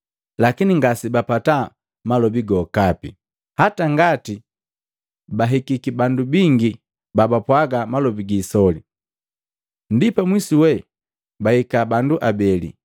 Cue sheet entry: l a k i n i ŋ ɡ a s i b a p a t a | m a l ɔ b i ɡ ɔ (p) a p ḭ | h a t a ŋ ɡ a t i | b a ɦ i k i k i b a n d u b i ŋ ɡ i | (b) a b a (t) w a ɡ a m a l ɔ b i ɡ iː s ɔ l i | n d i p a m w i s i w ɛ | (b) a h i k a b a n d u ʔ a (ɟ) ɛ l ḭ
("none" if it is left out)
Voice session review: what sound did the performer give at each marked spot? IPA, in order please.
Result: k, b, p, b, b

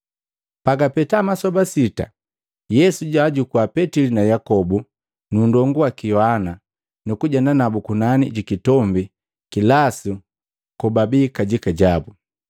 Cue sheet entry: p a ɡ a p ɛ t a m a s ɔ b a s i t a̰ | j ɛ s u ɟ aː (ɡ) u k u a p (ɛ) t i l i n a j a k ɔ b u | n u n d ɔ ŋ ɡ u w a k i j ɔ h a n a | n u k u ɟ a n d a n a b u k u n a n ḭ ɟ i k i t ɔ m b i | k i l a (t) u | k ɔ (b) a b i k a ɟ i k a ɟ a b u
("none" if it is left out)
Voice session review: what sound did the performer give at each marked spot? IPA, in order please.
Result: ɟ, ɛ, s, b

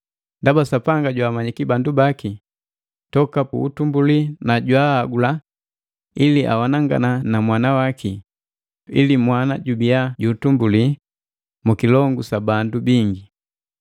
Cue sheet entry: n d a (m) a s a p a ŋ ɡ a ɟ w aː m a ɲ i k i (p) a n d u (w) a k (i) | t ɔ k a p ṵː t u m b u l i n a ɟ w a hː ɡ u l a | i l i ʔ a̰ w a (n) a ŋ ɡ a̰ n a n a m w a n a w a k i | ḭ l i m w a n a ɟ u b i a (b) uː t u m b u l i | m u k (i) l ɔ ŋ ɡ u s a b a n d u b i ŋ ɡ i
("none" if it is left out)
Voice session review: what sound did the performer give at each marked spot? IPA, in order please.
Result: b, b, b, i, n, ɟ, i

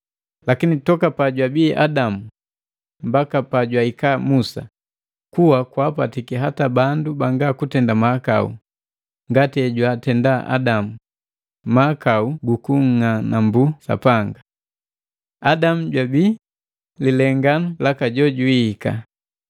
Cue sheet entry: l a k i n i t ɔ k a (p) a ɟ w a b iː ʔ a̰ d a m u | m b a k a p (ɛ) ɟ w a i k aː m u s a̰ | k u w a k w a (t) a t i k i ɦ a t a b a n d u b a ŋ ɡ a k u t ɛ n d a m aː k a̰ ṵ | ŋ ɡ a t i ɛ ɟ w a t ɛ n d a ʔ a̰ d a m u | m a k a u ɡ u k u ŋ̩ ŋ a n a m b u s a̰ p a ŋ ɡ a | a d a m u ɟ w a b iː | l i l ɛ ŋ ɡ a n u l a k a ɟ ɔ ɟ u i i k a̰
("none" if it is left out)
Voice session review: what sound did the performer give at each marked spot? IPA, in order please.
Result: p, a, p

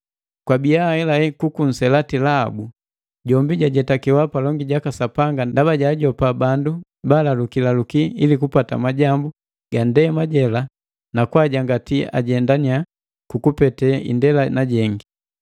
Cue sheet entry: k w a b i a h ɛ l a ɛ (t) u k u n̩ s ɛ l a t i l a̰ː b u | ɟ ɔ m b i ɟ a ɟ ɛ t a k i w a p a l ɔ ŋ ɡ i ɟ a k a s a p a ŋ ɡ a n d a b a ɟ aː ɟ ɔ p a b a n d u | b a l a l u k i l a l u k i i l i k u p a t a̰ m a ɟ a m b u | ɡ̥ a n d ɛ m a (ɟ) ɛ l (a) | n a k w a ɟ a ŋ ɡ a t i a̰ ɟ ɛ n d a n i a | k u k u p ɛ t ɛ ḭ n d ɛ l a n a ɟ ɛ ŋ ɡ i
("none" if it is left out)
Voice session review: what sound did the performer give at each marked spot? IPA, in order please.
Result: k, ɟ, a

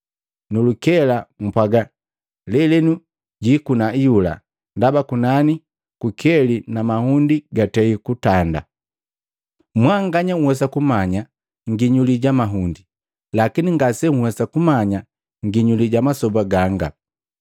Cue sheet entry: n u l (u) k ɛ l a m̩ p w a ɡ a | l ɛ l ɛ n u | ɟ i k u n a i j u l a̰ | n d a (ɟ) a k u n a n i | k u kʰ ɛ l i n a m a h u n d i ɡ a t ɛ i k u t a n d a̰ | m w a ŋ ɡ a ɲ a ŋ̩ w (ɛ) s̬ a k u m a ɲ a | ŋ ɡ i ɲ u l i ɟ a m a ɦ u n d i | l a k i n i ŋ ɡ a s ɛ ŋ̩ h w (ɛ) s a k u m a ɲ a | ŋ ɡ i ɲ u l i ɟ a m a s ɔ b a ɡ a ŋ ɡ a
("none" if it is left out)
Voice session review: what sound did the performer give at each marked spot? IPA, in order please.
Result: u, b, ɛ, ɛ

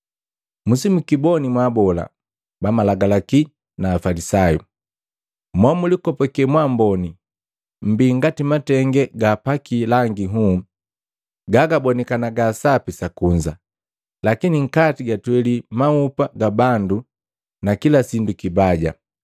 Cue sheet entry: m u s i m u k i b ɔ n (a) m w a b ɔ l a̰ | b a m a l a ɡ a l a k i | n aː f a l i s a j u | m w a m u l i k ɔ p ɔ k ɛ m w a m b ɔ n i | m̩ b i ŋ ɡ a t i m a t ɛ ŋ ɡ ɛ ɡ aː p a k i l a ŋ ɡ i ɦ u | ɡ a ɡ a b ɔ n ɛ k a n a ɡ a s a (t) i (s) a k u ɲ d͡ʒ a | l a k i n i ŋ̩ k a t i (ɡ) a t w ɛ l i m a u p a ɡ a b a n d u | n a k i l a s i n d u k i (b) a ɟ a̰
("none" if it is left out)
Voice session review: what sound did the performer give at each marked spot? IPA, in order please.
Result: i, p, s, ɡ, b

